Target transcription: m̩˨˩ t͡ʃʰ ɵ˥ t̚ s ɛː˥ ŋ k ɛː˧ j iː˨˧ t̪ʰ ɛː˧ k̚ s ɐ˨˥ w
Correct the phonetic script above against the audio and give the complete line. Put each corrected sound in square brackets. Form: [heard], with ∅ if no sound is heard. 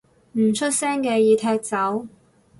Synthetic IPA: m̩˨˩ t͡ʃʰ ɵ˥ t̚ s ɛː˥ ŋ k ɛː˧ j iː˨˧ t̪ʰ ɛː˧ k̚ [t͡s] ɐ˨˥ w